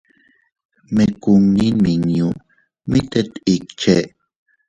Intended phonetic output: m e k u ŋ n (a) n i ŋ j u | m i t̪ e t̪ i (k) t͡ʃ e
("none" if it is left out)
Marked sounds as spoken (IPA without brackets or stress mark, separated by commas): i, k